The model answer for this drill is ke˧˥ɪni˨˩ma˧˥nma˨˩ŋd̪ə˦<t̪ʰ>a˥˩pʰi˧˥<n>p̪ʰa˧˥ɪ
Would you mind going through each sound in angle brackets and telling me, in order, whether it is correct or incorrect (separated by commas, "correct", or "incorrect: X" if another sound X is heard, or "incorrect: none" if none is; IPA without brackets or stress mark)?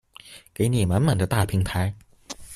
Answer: incorrect: t̪, incorrect: ŋ